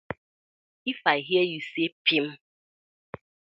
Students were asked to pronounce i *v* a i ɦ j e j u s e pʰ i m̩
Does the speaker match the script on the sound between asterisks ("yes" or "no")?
no